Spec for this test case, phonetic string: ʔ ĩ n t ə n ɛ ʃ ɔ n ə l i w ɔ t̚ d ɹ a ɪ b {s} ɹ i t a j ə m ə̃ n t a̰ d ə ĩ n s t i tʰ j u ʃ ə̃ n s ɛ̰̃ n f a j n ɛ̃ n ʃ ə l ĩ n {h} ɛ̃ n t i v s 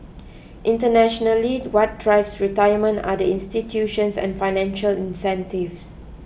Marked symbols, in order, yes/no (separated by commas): yes, no